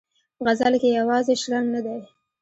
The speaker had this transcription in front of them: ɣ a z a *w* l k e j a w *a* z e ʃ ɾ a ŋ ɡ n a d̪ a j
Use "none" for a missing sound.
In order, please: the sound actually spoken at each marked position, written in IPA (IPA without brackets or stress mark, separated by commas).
none, ɑ